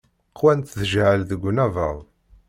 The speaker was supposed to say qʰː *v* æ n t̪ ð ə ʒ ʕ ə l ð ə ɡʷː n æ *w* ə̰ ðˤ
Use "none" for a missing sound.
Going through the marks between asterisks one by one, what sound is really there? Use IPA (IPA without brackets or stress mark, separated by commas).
w, v